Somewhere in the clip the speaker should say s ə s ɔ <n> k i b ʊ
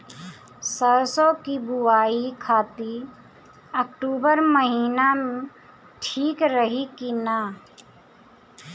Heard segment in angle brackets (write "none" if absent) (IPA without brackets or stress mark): none